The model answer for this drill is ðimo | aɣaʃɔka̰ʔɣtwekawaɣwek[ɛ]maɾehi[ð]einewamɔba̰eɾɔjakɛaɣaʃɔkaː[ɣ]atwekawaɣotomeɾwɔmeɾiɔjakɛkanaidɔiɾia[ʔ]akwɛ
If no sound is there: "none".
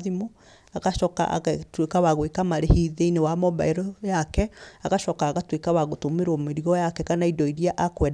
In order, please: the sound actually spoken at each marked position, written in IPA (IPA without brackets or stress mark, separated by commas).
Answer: a, ð, ɣ, ʔ